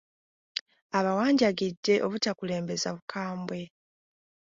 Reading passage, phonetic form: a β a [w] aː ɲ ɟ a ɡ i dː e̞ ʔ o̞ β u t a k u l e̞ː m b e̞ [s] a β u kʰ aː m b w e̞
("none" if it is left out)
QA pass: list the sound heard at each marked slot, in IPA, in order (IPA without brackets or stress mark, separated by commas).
w, z